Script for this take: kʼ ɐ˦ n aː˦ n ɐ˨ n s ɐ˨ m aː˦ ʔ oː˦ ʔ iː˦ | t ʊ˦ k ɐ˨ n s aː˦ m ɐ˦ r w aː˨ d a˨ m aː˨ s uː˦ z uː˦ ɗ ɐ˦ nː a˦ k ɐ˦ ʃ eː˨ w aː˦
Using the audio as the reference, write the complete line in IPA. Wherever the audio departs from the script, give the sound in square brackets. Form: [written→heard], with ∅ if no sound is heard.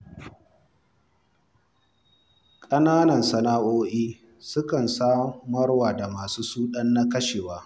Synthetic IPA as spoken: kʼ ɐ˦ n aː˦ n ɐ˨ n s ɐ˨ [m→n] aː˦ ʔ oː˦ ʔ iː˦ | [t→s] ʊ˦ k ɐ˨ n s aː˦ m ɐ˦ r w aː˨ d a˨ m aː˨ s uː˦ [z→s] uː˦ ɗ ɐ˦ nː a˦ k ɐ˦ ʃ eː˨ w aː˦